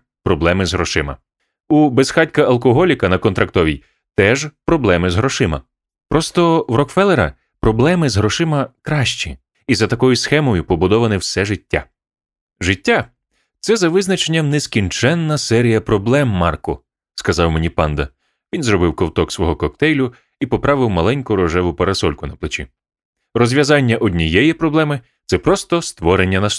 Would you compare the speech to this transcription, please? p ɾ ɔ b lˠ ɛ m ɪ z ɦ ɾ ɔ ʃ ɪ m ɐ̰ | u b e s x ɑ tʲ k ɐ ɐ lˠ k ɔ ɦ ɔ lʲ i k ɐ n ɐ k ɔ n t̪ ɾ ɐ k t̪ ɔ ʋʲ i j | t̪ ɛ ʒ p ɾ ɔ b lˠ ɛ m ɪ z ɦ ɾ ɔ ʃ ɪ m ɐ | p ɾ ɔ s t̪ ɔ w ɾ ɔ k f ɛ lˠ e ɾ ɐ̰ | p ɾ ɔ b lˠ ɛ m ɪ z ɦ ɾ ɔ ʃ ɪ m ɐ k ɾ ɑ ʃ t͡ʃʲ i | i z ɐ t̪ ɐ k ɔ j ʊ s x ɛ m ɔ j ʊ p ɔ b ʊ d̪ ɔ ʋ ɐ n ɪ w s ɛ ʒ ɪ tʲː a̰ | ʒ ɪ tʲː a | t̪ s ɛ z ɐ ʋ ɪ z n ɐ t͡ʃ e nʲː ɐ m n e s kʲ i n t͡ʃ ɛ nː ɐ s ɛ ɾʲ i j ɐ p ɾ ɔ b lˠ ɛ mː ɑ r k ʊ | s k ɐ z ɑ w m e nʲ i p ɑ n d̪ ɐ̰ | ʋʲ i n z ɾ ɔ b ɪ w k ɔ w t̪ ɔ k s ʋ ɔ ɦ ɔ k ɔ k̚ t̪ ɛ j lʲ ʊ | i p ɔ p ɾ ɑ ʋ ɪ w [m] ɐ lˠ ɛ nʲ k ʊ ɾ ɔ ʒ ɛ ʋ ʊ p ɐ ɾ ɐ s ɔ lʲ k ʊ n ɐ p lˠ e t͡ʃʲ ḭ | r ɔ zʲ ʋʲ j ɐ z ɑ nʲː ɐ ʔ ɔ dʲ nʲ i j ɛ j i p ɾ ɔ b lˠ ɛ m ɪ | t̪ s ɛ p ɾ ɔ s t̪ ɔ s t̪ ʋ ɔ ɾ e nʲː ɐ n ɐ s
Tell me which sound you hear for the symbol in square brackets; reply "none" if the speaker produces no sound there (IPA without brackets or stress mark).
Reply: m